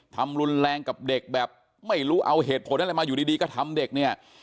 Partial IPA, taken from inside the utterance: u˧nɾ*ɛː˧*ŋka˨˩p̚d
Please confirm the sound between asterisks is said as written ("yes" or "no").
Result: yes